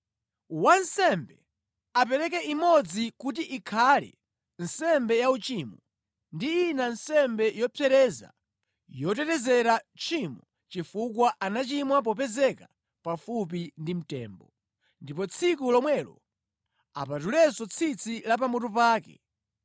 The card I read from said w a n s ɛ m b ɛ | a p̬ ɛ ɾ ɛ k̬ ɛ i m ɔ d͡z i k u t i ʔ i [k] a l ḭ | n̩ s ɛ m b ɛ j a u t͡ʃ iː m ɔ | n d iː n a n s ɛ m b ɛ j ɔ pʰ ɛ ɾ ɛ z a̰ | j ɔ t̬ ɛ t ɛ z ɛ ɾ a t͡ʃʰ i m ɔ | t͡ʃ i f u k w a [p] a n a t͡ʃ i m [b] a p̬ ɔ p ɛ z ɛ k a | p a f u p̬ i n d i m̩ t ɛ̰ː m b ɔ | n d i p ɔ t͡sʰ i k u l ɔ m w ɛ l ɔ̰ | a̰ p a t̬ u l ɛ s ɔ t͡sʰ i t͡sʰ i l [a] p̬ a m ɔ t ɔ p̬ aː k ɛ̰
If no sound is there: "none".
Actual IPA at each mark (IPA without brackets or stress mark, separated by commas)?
kʰ, ʔ, w, a